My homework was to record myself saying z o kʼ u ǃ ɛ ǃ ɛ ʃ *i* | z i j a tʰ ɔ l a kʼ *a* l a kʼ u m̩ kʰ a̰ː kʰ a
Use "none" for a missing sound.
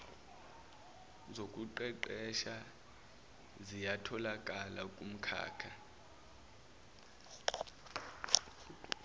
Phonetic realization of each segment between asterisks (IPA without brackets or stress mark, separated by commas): a, a